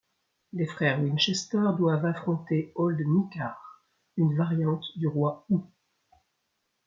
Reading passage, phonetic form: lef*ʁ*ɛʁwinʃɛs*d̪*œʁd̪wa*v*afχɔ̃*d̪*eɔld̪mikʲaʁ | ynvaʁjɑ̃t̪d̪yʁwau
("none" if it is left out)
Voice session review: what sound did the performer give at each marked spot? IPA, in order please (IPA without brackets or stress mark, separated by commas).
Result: χ, t̪, v, t̪